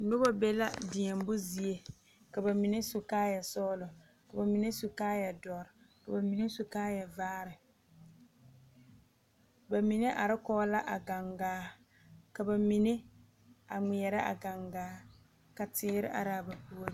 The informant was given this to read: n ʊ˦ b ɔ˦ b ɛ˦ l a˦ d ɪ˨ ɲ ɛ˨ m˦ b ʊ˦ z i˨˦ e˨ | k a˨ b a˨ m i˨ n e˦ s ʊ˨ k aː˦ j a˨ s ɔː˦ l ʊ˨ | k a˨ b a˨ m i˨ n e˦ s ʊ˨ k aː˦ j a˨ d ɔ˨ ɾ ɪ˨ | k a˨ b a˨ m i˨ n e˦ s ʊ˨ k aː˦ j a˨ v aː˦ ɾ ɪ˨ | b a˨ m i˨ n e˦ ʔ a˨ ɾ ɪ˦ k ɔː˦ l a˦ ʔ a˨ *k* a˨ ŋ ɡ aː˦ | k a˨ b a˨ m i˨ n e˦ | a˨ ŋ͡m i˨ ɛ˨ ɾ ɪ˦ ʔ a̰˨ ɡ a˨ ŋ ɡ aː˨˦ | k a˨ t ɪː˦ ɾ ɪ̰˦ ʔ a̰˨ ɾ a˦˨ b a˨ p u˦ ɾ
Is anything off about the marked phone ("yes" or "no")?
yes